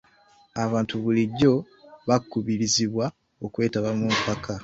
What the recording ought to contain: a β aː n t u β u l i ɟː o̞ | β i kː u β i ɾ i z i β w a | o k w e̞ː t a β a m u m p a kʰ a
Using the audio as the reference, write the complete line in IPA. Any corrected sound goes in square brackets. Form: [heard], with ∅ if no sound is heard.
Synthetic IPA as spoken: a β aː n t u β u l i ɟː o̞ | β [a] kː u β i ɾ i z i β w a | o k w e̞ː t a β a m u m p a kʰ a